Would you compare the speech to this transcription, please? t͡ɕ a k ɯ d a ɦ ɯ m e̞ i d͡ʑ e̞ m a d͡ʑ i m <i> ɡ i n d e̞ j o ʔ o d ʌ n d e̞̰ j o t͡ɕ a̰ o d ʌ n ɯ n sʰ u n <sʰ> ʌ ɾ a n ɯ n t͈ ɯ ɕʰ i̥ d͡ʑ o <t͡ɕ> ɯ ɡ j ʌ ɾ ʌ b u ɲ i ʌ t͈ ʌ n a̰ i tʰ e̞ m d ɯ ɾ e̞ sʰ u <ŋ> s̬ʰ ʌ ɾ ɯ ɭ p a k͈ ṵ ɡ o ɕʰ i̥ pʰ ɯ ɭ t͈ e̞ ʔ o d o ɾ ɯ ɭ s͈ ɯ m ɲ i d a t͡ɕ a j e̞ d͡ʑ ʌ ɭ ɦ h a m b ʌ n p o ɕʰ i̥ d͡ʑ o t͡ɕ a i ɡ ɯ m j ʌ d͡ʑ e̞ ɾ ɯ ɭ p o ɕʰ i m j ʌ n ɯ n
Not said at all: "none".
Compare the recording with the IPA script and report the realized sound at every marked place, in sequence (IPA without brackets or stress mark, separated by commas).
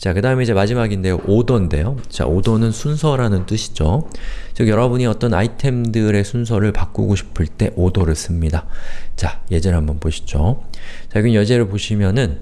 a, sʰ, t͡ɕ, n